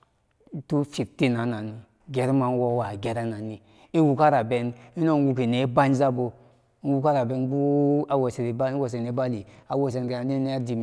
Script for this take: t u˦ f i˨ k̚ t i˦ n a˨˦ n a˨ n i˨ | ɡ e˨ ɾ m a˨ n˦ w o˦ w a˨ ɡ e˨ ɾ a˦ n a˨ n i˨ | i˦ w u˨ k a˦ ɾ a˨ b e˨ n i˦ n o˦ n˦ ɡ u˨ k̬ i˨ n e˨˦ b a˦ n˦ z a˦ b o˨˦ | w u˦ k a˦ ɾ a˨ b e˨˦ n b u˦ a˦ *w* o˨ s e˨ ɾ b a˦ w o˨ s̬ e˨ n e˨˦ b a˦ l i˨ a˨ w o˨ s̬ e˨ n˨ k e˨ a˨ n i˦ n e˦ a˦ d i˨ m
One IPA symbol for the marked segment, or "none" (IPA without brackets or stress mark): w